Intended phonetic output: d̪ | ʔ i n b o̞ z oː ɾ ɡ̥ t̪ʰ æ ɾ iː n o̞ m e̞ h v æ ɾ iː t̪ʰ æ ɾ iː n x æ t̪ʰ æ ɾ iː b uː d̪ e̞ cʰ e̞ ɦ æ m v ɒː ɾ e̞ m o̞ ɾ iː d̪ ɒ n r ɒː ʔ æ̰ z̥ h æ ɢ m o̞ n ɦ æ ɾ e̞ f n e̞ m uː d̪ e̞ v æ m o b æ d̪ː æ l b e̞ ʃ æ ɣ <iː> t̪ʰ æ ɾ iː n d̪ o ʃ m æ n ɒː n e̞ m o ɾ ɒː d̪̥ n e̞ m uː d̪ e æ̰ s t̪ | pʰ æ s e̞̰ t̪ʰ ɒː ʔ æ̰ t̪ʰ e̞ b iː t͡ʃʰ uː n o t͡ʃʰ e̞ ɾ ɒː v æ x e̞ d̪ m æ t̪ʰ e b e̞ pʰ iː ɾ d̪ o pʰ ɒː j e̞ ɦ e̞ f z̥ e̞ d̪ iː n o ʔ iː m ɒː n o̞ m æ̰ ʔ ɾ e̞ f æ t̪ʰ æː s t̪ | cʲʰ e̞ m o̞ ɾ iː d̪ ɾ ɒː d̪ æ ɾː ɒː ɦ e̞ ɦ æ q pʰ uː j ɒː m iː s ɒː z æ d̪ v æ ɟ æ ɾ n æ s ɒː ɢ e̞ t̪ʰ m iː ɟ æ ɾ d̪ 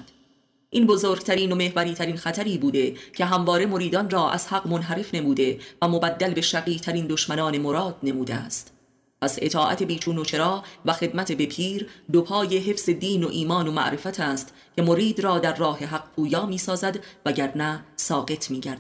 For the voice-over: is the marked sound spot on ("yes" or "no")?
yes